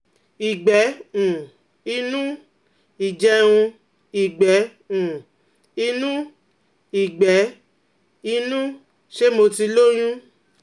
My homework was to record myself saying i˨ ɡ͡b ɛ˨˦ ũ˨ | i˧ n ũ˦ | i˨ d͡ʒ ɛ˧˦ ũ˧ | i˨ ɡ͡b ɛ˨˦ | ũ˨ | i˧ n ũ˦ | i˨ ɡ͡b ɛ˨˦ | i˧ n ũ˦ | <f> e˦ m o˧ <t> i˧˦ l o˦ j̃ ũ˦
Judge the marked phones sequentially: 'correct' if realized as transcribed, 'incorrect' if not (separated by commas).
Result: incorrect, correct